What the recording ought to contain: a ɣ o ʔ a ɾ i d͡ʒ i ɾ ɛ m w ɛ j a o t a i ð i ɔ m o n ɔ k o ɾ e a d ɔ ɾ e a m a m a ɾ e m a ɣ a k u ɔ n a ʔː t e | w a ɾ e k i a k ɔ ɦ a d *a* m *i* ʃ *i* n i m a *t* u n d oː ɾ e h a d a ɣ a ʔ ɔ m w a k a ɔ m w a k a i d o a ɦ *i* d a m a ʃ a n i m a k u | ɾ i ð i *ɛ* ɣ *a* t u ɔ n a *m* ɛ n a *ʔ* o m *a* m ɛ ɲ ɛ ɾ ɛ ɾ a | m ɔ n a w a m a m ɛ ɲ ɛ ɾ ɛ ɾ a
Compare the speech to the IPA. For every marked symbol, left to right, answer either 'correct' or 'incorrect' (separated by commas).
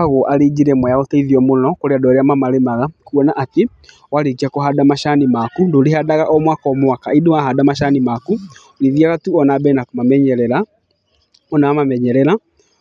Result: correct, incorrect, incorrect, incorrect, incorrect, incorrect, correct, incorrect, incorrect, correct